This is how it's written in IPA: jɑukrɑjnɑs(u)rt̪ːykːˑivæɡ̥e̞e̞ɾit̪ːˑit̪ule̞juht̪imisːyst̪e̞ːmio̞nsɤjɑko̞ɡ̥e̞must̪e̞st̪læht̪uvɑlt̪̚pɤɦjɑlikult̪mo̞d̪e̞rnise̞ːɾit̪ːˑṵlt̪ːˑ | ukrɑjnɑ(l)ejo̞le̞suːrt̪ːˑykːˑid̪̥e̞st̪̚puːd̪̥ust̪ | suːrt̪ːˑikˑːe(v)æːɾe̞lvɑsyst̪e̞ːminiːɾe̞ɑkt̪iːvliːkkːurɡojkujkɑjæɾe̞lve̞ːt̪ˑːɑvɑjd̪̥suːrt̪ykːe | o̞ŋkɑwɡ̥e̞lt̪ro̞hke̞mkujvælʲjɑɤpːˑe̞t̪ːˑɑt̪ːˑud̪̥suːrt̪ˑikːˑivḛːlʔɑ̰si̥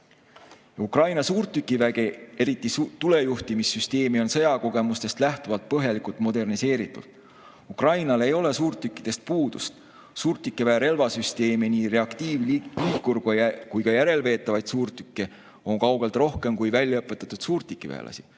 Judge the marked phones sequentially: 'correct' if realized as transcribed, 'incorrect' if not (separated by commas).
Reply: incorrect, correct, correct